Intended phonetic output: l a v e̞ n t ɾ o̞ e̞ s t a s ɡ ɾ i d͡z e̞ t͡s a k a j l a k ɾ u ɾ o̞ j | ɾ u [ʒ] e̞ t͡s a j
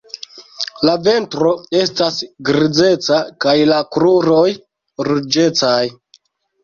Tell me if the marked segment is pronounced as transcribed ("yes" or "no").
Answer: no